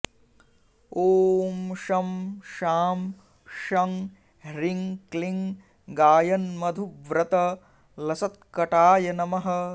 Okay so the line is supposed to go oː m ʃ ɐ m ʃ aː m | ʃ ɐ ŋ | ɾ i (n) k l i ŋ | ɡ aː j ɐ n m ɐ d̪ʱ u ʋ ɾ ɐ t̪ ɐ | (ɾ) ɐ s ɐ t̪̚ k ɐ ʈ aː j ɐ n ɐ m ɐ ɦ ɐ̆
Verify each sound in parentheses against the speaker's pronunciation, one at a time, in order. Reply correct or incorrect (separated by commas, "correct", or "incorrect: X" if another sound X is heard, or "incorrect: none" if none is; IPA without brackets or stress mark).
incorrect: ŋ, incorrect: l